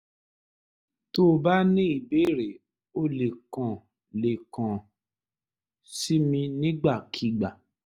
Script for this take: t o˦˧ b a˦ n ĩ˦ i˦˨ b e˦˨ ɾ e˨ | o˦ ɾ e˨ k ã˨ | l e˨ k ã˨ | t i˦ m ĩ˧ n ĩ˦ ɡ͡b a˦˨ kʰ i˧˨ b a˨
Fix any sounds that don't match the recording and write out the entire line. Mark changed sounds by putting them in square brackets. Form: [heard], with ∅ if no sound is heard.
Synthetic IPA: t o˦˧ b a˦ n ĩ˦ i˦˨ b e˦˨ ɾ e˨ | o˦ [l] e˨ k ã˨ | l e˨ k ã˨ | [s] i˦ m ĩ˧ n ĩ˦ ɡ͡b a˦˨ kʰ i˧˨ [ɡ͡b] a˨